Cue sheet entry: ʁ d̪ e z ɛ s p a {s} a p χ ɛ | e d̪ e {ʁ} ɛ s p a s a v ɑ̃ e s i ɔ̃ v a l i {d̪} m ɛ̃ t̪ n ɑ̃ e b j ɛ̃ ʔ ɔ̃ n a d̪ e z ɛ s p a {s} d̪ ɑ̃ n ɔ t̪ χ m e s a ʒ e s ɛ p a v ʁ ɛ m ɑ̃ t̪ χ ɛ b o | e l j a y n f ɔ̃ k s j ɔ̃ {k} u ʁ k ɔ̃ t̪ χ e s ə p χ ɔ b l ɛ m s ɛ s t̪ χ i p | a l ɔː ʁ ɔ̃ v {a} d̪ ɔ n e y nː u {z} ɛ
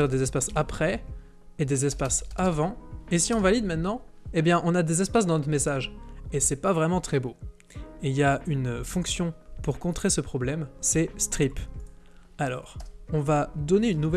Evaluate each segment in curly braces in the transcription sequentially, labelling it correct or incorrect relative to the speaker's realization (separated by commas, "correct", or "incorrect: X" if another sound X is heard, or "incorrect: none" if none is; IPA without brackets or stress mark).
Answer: correct, incorrect: z, correct, correct, incorrect: p, correct, incorrect: v